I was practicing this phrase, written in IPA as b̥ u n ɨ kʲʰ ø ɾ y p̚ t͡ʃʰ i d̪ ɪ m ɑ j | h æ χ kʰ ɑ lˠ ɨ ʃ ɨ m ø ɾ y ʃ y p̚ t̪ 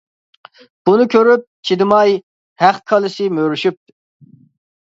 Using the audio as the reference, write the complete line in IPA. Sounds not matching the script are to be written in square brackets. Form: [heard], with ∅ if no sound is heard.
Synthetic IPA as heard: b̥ u n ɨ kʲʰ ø ɾ y p̚ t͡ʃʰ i d̪ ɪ m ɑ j | h æ χ kʰ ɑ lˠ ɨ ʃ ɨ m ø ɾ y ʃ y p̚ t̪